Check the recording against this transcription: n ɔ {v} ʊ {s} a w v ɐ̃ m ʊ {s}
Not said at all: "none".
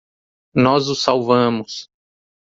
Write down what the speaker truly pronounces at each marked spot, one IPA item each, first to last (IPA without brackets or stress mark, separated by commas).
z, s, s